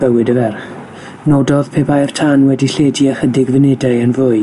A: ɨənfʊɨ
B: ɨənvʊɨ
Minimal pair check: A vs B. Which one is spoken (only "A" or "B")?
B